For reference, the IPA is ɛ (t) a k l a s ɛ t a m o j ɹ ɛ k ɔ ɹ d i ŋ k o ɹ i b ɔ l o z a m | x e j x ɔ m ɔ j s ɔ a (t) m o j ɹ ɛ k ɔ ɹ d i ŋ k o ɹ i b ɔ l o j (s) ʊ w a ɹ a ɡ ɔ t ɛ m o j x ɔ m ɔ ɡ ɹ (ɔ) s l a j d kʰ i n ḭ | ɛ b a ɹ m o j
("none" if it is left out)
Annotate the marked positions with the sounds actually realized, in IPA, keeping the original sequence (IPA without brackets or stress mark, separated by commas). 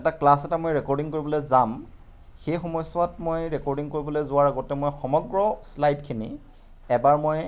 t, t, z, ɔ